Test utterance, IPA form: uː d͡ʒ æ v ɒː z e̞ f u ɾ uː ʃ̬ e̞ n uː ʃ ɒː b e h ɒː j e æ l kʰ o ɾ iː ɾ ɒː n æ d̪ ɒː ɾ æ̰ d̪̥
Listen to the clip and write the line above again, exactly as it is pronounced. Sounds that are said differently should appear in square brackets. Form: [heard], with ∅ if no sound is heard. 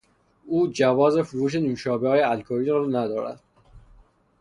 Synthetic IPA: uː d͡ʒ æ v ɒː z e̞ f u ɾ uː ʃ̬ e̞ n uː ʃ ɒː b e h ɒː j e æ l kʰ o ɾ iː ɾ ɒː n æ d̪ ɒː ɾ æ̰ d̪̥